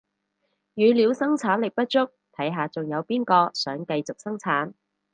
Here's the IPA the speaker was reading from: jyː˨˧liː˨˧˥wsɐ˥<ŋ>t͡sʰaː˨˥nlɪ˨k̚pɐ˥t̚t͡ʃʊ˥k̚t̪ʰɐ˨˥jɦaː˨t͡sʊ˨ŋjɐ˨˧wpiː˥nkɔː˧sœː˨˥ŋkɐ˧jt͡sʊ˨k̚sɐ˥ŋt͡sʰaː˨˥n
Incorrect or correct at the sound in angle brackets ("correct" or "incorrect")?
correct